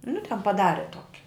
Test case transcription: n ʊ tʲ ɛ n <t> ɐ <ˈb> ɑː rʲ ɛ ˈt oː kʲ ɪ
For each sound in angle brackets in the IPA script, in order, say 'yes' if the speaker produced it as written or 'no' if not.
no, no

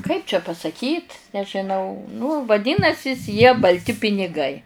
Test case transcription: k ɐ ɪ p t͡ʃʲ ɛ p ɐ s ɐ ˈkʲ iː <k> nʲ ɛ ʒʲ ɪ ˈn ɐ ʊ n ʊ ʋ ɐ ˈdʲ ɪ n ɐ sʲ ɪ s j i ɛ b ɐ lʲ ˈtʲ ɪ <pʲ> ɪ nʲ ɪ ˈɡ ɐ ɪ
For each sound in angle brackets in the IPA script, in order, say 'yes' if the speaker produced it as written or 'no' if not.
no, yes

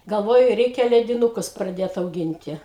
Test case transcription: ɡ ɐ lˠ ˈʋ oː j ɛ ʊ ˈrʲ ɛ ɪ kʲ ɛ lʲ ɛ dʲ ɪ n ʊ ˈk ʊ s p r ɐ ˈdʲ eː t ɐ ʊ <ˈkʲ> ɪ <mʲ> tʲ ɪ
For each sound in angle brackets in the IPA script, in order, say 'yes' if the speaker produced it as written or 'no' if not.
no, no

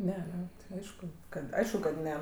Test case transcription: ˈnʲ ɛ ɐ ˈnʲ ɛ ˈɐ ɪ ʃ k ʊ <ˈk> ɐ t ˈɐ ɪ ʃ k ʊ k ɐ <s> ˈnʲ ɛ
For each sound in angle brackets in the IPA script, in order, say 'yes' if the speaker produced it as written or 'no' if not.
yes, no

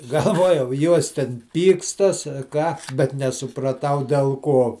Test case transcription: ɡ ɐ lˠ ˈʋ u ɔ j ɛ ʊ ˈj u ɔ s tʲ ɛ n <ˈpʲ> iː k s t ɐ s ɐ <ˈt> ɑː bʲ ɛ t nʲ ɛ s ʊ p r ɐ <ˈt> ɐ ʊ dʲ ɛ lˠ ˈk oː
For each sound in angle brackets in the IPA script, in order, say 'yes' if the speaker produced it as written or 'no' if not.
yes, no, yes

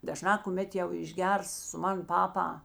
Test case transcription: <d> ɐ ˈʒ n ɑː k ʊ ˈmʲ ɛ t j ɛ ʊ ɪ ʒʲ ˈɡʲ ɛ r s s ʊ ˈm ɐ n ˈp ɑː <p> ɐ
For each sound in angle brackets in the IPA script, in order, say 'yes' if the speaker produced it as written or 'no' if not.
yes, yes

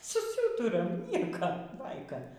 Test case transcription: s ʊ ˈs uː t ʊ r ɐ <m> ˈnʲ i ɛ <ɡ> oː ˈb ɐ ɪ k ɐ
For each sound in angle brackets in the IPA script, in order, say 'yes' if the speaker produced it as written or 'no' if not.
yes, no

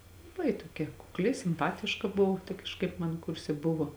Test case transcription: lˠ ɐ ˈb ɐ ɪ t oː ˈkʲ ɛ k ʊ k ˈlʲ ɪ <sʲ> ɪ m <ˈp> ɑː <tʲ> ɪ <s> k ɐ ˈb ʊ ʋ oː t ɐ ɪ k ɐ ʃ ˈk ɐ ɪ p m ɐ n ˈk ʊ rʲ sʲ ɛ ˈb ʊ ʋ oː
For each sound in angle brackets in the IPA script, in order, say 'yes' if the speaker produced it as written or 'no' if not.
yes, yes, yes, no

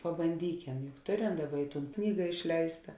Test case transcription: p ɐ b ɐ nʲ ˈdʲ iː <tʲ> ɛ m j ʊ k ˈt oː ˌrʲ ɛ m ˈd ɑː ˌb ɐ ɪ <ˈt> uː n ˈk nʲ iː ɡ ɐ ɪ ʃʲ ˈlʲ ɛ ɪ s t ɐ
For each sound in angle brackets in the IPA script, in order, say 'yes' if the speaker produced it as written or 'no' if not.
no, yes

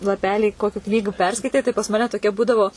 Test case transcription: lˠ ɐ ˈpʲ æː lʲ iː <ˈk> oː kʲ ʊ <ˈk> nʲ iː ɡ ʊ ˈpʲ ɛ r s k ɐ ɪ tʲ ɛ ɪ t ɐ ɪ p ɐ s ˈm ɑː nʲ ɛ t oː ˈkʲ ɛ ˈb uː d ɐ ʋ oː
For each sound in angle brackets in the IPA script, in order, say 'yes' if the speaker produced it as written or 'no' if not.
yes, yes

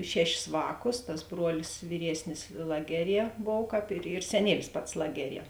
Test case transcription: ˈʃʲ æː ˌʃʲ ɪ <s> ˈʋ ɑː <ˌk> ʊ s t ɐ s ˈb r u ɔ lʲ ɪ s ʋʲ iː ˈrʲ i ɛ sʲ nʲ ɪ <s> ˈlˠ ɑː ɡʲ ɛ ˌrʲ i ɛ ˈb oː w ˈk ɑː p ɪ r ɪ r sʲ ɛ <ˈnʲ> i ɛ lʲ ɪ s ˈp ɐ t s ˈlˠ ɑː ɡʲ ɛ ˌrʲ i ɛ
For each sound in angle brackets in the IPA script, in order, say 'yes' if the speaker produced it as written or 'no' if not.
yes, yes, yes, yes

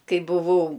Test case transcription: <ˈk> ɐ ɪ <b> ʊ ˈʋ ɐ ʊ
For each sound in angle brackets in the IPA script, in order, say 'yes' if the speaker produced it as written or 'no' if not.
yes, yes

